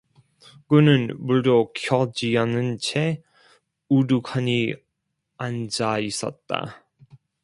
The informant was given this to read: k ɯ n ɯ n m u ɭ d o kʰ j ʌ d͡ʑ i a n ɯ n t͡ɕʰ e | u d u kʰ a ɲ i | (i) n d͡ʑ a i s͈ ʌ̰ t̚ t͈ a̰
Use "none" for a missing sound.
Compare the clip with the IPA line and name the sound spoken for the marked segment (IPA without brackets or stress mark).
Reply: a